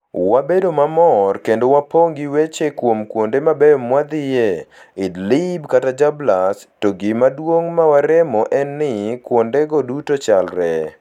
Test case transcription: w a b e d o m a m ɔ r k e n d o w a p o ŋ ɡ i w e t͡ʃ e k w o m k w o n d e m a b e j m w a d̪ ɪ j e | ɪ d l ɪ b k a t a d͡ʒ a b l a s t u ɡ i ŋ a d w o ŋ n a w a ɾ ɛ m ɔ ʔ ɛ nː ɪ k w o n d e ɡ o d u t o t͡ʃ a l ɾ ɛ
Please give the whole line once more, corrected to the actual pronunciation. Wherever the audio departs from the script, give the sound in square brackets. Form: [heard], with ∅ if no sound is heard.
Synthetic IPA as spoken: w a b e d o m a m ɔ r k e n d o w a p o ŋ ɡ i w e t͡ʃ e k w o m k w o n d e m a b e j m w a d̪ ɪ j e | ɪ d l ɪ b k a t a d͡ʒ a b l a s t [o] ɡ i [m] a d w o ŋ [m] a w a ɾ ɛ m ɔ ʔ ɛ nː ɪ k w o n d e ɡ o d u t o t͡ʃ a l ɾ ɛ